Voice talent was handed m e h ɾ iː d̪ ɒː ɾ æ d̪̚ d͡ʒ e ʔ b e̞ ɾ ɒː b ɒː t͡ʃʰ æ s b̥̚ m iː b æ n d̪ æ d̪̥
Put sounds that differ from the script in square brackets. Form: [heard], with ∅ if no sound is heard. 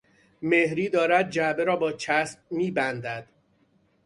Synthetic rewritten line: m e h ɾ iː d̪ ɒː ɾ æ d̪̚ d͡ʒ [æ] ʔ b e̞ ɾ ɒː b ɒː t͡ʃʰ æ s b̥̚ m iː b æ n d̪ æ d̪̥